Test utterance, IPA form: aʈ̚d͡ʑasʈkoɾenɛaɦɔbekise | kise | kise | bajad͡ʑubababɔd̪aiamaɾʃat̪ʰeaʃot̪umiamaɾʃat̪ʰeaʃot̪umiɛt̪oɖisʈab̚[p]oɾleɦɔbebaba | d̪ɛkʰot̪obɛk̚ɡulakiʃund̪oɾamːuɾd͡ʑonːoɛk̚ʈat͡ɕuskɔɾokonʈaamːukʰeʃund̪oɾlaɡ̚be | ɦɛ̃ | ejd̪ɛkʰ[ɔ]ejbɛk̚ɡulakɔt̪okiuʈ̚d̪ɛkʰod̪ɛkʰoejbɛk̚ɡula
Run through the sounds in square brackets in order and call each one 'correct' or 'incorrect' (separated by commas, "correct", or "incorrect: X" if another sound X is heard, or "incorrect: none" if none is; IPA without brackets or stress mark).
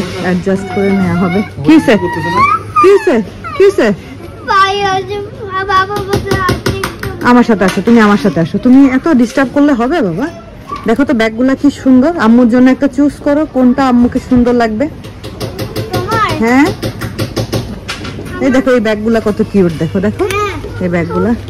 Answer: incorrect: k, incorrect: o